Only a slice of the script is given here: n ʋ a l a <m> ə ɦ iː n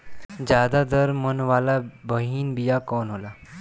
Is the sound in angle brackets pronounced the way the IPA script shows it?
no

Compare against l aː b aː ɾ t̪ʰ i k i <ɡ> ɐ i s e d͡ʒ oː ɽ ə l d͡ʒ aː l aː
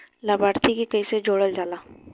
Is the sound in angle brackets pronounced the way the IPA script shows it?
no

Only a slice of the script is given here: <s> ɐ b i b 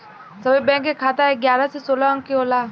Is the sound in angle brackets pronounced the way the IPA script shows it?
yes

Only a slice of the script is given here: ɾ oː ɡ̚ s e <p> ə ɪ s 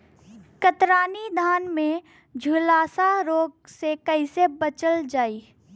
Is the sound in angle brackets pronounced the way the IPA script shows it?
no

